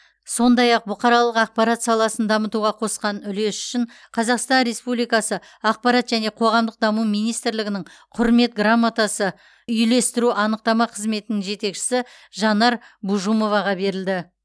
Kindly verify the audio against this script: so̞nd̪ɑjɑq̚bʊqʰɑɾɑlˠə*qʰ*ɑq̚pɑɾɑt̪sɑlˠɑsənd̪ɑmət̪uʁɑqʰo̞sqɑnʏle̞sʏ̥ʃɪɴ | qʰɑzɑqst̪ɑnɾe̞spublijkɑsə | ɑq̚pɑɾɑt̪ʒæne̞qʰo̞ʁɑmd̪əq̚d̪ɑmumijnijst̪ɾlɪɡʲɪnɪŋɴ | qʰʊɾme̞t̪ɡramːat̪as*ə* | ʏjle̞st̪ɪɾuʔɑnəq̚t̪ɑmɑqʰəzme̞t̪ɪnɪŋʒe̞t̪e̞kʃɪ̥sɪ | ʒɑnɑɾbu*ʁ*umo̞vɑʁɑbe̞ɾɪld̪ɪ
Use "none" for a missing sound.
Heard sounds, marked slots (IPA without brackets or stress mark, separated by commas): q, ə, ʒ